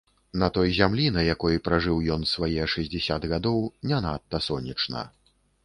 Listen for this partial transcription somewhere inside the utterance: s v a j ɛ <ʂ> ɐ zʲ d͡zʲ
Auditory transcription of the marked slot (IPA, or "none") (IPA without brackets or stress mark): ʂ